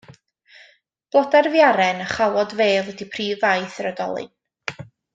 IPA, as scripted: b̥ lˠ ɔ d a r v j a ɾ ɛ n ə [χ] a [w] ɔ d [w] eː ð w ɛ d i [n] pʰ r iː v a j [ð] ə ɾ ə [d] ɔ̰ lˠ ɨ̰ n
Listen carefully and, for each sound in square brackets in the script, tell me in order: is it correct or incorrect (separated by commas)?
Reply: correct, correct, incorrect, incorrect, incorrect, correct